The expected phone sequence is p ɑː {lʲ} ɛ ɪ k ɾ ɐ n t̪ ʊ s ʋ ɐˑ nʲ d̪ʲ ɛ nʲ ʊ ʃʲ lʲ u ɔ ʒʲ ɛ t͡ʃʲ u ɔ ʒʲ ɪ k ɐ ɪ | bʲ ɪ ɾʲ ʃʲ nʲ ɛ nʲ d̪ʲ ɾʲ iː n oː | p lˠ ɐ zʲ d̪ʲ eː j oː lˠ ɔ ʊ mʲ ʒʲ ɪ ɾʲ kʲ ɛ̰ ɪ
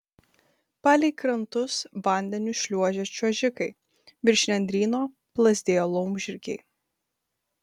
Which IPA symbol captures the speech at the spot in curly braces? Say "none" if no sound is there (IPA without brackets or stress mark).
lʲ